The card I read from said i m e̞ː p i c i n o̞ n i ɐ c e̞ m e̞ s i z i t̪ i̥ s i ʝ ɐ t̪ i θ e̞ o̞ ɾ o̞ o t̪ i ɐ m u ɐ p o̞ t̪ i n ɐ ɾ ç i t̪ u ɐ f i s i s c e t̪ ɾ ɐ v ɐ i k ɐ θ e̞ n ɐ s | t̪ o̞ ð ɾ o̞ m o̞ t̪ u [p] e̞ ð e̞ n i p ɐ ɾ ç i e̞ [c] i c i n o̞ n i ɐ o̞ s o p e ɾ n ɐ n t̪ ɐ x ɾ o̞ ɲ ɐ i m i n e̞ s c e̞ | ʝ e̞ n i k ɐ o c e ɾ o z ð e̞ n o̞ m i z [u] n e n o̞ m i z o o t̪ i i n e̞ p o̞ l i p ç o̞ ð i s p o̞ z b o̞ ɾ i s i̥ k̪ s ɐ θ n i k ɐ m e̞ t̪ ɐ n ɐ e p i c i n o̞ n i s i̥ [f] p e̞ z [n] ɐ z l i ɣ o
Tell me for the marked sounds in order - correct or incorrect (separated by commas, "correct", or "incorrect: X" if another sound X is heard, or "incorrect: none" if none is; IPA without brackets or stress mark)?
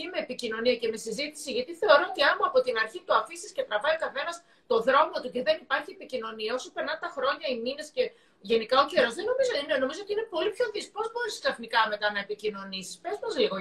incorrect: c, incorrect: p, incorrect: o, incorrect: s, incorrect: m